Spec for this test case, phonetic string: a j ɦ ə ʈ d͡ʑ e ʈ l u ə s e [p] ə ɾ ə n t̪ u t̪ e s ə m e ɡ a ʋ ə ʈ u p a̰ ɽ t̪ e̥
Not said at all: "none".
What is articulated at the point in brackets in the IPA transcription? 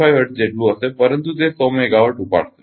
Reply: p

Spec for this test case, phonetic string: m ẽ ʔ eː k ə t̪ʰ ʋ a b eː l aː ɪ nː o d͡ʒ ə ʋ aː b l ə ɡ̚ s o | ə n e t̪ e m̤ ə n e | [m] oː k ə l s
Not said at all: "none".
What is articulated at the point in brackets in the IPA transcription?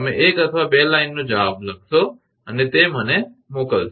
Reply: m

